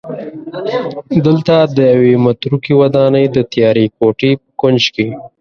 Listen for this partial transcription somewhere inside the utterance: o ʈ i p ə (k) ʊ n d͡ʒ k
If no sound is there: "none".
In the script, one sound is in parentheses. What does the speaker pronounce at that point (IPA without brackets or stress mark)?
k